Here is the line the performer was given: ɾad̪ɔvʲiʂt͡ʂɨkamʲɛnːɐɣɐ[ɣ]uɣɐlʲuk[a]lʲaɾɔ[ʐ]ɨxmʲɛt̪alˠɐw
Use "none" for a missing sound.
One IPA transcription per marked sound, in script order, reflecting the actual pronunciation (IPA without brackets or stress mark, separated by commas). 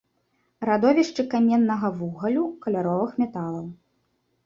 v, ɐ, v